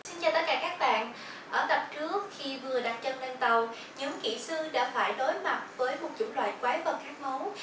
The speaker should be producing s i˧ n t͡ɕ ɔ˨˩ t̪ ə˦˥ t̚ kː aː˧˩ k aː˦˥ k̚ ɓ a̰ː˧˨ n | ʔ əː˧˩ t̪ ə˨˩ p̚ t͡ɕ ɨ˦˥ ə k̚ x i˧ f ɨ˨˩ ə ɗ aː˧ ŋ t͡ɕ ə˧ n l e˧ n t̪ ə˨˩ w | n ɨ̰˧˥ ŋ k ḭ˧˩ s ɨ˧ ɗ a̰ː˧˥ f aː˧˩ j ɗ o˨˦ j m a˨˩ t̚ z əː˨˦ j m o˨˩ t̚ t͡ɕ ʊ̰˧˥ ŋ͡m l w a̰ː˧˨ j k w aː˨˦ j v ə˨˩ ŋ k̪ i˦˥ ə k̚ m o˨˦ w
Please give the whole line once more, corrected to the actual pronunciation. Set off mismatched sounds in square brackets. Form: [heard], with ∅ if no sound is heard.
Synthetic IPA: s i˧ n t͡ɕ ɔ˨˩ t̪ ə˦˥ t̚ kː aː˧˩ k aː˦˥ k̚ ɓ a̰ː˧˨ n | ʔ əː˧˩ t̪ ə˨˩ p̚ t͡ɕ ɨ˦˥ ə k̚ x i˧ [v] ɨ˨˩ ə ɗ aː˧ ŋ t͡ɕ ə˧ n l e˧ n t̪ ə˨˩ w | [ɲ] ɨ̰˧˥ ŋ k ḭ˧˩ s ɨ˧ ɗ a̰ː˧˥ f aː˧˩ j ɗ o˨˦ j m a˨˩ t̚ [v] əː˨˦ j m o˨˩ t̚ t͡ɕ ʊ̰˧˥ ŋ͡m l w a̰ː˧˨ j k w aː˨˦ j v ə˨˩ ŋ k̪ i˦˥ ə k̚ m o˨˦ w